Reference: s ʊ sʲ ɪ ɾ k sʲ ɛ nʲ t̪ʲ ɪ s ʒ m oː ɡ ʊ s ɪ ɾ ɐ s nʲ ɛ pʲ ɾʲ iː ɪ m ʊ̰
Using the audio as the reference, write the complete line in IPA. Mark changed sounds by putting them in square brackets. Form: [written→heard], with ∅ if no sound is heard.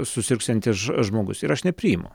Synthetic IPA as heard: s ʊ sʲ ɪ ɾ k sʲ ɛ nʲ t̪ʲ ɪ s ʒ m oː ɡ ʊ s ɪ ɾ ɐ [s→ʃ] nʲ ɛ pʲ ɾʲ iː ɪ m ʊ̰